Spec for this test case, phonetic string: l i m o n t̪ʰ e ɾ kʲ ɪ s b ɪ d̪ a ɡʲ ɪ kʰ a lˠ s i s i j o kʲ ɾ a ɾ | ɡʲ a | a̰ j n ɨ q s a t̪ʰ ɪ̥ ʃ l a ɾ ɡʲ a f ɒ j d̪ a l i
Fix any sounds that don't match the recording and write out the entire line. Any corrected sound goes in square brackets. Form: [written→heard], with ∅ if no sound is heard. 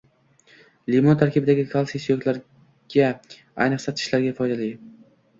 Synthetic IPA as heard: l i m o n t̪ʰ [e→a] ɾ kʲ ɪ [s→∅] b ɪ d̪ a ɡʲ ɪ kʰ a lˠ s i s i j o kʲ [ɾ→l] a ɾ | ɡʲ a | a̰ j n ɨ q s a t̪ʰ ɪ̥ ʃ l a ɾ ɡʲ a f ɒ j d̪ a l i